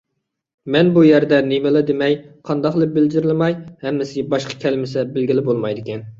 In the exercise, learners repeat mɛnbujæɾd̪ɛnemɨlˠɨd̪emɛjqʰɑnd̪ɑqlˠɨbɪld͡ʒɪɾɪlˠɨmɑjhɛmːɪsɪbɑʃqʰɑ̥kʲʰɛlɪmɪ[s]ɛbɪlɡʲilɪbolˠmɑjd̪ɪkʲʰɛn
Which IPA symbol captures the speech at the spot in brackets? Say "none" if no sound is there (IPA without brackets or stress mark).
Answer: s